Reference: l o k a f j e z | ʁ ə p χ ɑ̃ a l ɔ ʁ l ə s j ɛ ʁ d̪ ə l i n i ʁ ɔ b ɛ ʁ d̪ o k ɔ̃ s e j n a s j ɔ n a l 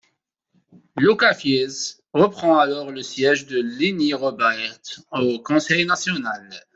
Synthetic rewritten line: l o k a f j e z | ʁ ə p χ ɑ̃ a l ɔ ʁ l ə s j ɛ ʒ d̪ ə l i n i ʁ ɔ b ɛ ʁ t̪ o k ɔ̃ s ɛ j n a s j ɔ n a l